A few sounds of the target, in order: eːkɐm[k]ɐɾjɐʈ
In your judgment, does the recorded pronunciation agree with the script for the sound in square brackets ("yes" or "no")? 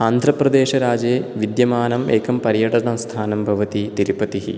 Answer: no